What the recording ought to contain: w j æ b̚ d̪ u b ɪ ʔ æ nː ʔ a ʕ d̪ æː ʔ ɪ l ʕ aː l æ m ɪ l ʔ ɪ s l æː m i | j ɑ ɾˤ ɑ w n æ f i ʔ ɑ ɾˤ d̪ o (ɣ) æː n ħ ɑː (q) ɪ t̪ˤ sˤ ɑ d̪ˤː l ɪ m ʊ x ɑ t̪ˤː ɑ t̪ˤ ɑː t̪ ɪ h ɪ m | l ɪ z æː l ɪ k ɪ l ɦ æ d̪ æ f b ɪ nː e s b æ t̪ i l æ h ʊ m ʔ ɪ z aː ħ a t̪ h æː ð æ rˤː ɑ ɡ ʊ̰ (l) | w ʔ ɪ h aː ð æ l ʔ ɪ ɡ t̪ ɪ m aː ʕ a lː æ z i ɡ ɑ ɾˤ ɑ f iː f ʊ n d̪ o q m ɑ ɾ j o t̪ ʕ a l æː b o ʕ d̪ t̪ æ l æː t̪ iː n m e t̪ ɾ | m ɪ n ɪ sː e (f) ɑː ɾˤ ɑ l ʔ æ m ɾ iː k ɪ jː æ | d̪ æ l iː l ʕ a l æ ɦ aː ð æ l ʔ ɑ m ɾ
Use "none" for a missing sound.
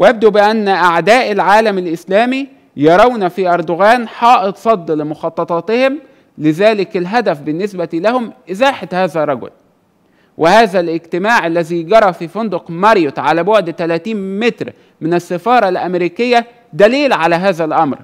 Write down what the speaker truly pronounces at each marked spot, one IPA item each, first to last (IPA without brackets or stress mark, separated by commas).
ɣ, ʔ, l, f